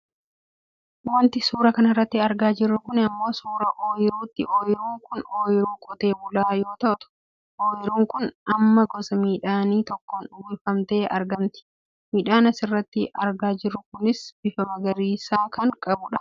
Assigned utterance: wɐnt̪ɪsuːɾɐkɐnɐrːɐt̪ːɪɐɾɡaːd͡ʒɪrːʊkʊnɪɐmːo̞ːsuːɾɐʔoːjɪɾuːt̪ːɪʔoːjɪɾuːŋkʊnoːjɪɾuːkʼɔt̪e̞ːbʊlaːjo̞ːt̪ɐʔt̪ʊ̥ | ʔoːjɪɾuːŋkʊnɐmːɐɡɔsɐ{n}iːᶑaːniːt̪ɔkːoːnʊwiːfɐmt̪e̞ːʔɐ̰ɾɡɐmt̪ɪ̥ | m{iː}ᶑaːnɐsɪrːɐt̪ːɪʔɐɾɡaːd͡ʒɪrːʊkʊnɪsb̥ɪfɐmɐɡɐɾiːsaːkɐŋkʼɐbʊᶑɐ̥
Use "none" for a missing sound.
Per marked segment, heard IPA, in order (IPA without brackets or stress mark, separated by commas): m, iː